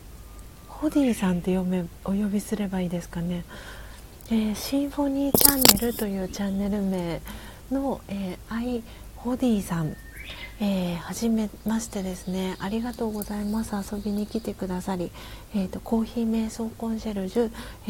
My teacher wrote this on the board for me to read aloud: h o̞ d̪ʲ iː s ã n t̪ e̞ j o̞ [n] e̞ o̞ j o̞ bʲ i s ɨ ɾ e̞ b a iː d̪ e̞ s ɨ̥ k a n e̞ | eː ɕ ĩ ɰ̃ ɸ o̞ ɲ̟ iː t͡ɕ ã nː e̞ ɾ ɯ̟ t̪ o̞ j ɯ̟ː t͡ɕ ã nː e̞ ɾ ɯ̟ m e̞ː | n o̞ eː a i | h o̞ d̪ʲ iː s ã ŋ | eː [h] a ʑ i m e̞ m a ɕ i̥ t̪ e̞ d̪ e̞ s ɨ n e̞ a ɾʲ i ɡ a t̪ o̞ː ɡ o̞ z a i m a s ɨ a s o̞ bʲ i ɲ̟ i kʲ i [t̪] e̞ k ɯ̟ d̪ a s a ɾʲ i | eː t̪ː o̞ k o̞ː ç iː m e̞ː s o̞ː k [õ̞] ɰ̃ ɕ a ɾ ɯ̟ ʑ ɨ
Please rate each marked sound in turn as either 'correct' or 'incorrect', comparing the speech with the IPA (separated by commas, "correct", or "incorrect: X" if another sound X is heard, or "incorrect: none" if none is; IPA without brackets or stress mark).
incorrect: m, correct, correct, correct